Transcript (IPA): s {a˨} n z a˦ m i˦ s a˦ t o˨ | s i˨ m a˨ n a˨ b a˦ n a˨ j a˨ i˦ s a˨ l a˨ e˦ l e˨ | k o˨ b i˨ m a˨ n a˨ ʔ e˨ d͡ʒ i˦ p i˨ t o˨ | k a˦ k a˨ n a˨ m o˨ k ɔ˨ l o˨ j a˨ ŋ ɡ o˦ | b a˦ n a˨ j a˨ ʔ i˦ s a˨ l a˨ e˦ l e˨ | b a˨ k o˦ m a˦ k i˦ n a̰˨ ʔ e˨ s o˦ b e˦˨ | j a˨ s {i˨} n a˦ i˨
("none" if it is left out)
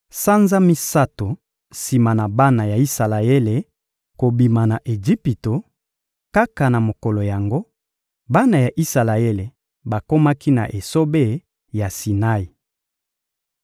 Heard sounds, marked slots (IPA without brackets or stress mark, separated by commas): a˦, i˨